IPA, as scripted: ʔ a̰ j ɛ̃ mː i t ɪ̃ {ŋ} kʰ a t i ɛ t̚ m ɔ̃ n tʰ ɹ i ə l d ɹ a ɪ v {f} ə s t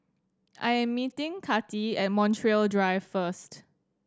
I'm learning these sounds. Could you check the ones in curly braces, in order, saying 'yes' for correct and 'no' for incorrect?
yes, yes

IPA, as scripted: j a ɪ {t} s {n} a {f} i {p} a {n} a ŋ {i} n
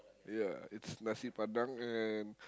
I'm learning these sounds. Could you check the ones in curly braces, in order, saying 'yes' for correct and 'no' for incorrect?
yes, yes, no, yes, no, no

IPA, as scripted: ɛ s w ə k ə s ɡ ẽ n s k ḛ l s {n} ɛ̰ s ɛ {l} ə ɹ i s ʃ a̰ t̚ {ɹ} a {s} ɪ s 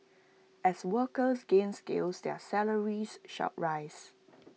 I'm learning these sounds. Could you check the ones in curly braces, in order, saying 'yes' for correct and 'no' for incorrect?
no, yes, yes, no

